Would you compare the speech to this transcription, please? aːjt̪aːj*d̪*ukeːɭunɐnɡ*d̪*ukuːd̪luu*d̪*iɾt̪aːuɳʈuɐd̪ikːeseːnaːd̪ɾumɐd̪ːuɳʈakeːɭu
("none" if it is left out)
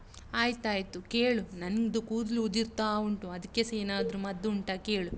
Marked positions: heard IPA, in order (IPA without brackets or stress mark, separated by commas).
t̪, d̪, d̪